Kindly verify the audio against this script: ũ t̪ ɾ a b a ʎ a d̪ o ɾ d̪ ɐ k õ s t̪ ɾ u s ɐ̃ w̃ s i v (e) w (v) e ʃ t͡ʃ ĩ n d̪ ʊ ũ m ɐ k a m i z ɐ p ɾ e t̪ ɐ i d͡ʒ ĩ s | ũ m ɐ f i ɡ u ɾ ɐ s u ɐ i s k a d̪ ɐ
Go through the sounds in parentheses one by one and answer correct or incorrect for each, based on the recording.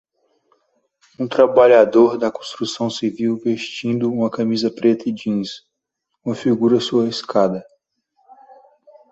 incorrect, correct

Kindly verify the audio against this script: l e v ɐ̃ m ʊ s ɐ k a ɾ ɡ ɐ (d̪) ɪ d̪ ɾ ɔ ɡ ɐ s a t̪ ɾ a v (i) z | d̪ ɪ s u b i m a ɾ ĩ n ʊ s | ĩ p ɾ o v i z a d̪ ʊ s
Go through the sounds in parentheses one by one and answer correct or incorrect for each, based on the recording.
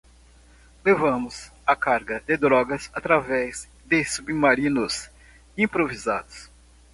correct, incorrect

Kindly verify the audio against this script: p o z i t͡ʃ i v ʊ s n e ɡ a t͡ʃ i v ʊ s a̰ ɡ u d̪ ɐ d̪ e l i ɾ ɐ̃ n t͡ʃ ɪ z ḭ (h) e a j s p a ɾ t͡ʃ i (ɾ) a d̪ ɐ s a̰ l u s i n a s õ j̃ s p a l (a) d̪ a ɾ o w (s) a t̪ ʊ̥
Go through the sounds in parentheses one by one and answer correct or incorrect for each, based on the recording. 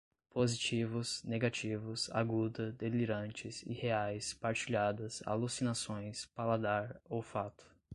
correct, incorrect, correct, incorrect

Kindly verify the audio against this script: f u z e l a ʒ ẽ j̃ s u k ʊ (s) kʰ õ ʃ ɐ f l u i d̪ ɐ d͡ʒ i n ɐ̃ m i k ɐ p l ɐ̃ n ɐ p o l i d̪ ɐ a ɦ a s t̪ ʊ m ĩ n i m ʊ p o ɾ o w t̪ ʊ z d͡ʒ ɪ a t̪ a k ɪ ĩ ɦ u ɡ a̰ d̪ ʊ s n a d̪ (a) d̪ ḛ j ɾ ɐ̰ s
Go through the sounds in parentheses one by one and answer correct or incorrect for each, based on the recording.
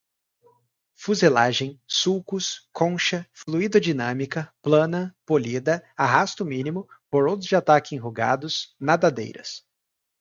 correct, correct

